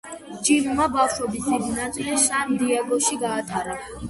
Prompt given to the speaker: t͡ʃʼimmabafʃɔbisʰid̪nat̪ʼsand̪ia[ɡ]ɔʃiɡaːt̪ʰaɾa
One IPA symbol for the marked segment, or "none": ɡ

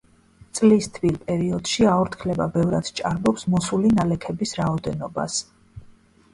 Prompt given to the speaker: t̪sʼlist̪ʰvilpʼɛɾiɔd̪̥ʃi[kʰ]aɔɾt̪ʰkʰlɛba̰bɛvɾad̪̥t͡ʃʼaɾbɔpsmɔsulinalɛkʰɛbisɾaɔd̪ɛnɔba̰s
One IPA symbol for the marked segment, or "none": none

